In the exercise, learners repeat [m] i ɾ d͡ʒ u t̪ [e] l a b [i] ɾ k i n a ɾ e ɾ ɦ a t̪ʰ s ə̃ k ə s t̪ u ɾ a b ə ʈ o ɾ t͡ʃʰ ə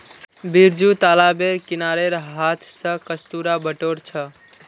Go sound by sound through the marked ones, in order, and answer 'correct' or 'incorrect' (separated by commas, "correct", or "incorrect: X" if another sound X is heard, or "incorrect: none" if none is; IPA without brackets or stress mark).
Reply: incorrect: b, incorrect: a, incorrect: e